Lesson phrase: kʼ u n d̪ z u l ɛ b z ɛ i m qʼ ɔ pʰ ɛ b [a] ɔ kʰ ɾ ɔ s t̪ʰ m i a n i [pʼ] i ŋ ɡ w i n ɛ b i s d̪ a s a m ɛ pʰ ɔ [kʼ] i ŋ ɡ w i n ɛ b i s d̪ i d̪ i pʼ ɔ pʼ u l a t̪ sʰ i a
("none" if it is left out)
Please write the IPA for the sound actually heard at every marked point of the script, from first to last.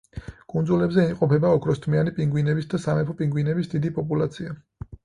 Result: a, pʼ, pʼ

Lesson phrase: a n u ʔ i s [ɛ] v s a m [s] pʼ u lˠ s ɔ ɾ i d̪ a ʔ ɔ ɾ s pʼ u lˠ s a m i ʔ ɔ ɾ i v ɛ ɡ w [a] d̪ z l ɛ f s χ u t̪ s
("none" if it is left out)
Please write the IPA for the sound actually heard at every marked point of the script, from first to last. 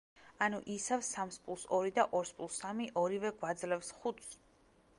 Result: a, s, a

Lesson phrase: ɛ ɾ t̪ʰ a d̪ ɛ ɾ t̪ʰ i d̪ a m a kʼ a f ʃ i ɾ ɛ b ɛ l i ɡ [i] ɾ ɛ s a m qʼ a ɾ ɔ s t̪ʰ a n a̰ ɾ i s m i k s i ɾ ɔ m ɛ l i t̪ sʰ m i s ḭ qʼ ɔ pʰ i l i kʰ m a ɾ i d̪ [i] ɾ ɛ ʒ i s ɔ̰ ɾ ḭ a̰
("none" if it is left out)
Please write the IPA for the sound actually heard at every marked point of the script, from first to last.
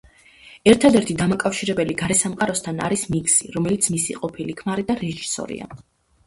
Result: a, a

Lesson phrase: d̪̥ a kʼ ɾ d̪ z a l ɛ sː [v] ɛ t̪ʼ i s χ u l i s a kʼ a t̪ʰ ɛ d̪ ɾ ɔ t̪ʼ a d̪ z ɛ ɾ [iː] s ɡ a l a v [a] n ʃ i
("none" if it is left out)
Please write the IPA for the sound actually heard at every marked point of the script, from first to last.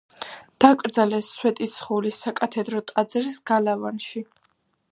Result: w, i, a

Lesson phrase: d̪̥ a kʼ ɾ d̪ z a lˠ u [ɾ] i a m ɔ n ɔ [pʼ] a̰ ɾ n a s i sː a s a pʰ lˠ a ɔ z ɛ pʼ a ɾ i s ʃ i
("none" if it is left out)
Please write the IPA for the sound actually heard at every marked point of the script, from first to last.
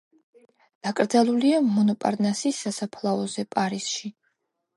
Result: l, pʼ

